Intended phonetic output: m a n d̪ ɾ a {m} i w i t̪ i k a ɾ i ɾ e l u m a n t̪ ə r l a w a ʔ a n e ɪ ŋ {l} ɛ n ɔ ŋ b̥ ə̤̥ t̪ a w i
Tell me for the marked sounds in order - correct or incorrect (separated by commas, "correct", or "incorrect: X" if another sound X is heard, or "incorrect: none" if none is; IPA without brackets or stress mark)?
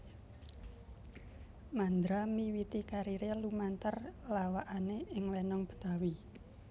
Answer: correct, correct